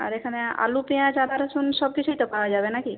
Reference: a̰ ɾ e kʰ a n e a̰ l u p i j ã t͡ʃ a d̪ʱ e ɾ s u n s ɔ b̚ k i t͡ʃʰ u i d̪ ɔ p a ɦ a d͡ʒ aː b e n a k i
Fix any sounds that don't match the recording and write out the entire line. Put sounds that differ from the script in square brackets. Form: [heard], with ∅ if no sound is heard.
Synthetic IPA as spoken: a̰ ɾ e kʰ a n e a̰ l u p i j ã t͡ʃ a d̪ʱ [a] ɾ s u n s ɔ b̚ k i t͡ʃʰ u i [t̪] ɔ p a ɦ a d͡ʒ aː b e n a k i